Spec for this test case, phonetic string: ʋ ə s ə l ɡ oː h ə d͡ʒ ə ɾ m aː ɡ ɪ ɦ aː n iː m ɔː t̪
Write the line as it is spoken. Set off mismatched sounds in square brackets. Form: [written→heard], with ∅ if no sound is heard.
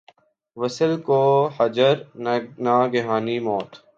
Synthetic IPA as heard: ʋ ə s ə l [ɡ→k] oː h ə d͡ʒ ə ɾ [m→n] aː ɡ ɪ ɦ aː n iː m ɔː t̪

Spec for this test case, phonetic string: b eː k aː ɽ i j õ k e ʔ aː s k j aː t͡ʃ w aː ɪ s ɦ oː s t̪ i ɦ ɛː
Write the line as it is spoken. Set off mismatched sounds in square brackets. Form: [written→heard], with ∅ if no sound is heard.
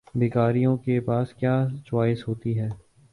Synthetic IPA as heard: b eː k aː [ɽ→ɾ] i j õ k e [ʔ→p] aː s k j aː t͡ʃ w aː ɪ s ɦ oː [s→∅] t̪ i ɦ ɛː

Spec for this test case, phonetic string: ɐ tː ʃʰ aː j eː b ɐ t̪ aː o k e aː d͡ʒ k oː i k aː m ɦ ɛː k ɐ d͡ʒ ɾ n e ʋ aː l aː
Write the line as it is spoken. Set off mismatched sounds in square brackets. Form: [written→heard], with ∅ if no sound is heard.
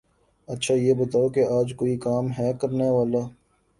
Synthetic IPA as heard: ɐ tː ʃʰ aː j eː b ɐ t̪ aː o k e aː d͡ʒ k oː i k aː m ɦ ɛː k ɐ [d͡ʒ→∅] ɾ n e ʋ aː l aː

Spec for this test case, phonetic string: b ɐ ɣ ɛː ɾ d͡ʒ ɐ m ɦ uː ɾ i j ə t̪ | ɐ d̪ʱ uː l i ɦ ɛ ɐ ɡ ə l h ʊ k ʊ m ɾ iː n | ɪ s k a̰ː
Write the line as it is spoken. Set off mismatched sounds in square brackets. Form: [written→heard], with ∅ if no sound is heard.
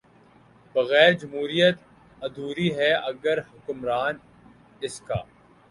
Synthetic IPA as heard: b ɐ ɣ ɛː ɾ d͡ʒ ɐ m ɦ uː ɾ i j ə t̪ | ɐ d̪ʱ uː [l→ɾ] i ɦ ɛ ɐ ɡ ə [l→ɾ] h ʊ k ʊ m ɾ [iː→aː] n | ɪ s k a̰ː

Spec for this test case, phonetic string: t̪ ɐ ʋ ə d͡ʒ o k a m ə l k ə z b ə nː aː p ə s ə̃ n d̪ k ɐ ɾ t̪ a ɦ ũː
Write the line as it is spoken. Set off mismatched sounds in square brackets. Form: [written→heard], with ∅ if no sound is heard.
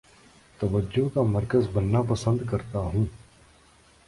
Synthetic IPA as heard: t̪ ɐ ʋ ə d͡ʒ o k a m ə [l→ɾ] k ə z b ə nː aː p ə s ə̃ n d̪ k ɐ ɾ t̪ a ɦ ũː

